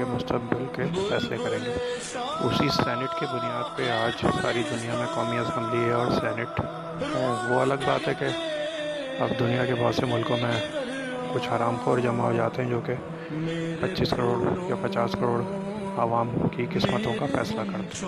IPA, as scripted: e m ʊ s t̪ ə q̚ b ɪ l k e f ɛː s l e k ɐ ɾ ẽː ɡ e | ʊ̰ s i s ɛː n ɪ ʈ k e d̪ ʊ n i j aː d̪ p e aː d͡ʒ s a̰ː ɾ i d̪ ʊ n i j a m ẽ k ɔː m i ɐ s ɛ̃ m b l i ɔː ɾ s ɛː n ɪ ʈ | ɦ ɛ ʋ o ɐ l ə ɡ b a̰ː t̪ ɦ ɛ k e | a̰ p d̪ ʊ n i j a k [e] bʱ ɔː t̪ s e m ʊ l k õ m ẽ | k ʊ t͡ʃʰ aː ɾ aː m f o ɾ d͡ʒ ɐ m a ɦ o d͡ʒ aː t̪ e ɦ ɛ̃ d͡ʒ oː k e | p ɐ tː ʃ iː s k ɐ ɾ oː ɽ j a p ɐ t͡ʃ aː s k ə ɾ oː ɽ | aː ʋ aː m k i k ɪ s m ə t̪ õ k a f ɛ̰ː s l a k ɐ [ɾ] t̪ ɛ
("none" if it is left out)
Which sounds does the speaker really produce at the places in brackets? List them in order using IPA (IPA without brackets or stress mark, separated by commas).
e, ɾ